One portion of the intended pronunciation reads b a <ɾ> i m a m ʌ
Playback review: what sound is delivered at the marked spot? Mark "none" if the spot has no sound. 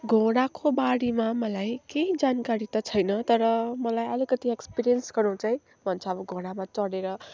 ɽ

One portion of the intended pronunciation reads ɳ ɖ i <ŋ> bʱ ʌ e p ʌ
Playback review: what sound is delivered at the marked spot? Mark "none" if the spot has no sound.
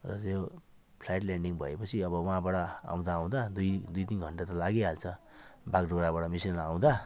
ŋ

